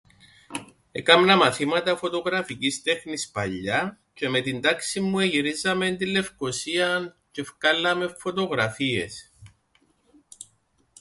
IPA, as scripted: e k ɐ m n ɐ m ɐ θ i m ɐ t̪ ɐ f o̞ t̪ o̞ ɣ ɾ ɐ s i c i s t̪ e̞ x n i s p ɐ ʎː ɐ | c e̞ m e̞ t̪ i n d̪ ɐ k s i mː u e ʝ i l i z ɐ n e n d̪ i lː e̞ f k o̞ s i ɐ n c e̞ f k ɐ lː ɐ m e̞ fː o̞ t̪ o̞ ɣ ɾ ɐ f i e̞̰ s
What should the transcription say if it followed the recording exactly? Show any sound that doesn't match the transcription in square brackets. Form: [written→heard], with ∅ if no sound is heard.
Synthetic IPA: e k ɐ m n ɐ m ɐ θ i m ɐ t̪ ɐ f o̞ t̪ o̞ ɣ ɾ ɐ [s→f] i c i s t̪ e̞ x n i s p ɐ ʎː ɐ | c e̞ m e̞ t̪ i n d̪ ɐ k s i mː u e ʝ i [l→ɾ] i z ɐ [n→m] e n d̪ i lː e̞ f k o̞ s i ɐ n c e̞ f k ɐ lː ɐ m e̞ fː o̞ t̪ o̞ ɣ ɾ ɐ f i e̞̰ s